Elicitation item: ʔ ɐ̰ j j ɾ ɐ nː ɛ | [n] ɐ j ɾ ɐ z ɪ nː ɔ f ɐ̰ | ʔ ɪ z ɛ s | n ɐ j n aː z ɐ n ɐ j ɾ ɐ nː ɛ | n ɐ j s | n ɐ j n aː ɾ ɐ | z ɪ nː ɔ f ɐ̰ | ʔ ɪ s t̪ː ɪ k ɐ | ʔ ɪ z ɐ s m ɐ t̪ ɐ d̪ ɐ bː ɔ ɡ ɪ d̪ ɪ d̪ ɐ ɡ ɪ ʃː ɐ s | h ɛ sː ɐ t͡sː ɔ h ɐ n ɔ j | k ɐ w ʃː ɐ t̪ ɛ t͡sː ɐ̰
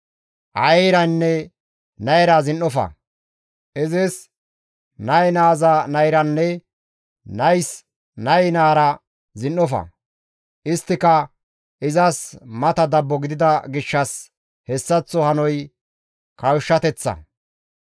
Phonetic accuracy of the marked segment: correct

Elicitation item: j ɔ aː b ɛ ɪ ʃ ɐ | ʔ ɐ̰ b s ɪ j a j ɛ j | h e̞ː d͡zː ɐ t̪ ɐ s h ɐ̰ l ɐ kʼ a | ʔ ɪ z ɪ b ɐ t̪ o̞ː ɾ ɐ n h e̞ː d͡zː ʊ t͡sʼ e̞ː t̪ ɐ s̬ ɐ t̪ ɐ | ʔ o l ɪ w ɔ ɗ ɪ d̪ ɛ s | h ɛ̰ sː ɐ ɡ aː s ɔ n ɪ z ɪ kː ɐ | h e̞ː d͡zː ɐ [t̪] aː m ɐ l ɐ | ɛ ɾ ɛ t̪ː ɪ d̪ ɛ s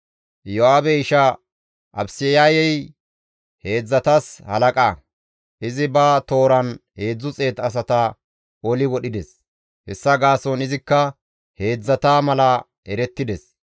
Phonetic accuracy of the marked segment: correct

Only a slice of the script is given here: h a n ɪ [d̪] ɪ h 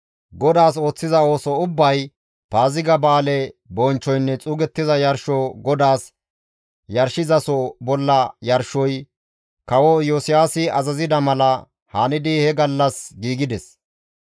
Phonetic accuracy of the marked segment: correct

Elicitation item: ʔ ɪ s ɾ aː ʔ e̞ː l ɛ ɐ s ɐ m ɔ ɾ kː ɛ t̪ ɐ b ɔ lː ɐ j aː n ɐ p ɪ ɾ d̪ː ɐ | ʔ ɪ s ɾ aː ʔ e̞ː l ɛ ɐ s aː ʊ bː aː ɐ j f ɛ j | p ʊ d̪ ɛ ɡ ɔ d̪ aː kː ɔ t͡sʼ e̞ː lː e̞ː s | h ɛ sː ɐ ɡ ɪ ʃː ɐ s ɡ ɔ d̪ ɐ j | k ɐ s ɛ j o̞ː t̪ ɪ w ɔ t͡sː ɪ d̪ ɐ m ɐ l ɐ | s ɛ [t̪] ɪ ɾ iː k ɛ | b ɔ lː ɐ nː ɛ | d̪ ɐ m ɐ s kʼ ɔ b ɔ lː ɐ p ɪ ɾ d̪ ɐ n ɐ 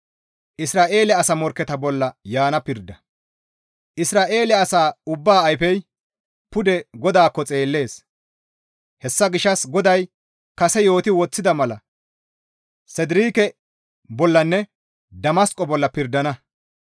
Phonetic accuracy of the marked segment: incorrect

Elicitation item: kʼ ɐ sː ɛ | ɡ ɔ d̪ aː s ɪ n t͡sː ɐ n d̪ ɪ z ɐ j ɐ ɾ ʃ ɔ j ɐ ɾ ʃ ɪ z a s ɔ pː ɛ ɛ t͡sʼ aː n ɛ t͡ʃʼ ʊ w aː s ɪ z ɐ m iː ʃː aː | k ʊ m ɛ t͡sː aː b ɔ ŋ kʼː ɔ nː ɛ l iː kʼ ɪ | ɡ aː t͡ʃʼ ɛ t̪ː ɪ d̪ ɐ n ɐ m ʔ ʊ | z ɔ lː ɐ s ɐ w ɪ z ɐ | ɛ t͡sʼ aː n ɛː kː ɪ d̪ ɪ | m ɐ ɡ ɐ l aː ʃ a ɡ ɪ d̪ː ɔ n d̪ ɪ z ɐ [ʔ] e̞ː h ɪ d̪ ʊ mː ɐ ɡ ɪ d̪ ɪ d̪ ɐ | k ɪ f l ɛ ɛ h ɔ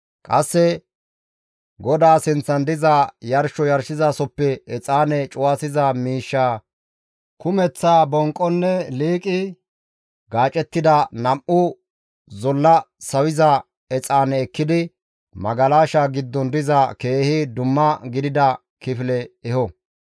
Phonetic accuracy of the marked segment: incorrect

